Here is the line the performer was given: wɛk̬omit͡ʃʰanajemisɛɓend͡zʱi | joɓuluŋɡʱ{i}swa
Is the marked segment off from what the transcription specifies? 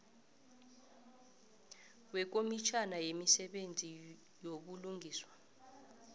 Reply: yes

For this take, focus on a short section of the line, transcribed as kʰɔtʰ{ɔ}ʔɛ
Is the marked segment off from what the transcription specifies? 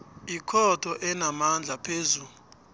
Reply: no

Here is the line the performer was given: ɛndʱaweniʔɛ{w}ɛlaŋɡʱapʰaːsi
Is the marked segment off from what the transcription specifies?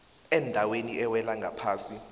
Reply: no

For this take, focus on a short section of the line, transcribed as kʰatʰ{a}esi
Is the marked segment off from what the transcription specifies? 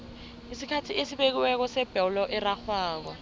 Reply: yes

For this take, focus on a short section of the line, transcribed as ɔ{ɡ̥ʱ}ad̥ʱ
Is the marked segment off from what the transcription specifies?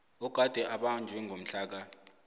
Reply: no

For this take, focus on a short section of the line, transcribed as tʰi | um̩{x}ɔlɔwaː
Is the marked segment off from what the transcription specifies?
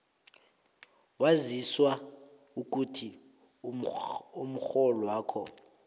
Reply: no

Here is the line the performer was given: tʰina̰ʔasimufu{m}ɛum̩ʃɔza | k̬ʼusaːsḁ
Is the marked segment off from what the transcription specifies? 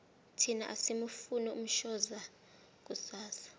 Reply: yes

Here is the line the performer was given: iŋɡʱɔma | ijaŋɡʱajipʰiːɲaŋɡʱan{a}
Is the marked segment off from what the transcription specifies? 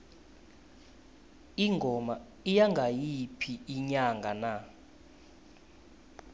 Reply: no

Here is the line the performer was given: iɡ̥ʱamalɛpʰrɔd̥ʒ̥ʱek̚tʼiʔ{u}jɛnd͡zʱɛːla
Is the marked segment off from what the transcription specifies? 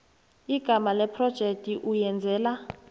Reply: no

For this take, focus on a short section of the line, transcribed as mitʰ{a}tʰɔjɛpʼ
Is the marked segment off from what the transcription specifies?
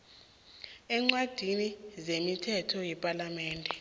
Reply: yes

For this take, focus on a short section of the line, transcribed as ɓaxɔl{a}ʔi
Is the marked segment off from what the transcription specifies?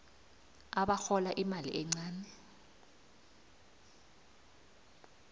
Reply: no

